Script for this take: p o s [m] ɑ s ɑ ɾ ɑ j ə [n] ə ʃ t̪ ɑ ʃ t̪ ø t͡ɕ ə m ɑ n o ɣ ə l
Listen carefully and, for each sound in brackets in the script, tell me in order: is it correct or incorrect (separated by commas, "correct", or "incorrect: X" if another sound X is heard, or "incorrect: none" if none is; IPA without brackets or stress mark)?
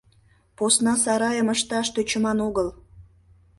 incorrect: n, incorrect: m